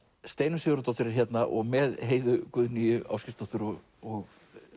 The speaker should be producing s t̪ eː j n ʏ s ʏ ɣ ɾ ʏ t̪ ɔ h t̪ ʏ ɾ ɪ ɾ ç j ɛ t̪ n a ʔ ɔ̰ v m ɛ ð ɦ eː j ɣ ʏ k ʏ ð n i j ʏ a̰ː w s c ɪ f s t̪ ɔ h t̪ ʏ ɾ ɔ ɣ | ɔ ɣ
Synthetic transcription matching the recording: s t̪ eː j n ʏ s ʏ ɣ ɾ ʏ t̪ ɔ h t̪ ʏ ɾ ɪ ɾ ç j ɛ t̪ n a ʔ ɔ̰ ɣ m ɛ ð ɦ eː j ð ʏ k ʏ ð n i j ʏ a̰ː w s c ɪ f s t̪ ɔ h t̪ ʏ ɾ ɔ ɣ | ɔ ɣ